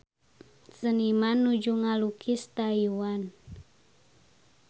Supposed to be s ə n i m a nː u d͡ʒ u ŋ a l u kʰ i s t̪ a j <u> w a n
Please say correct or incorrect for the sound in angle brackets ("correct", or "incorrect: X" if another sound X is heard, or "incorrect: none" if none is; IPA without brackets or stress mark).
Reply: correct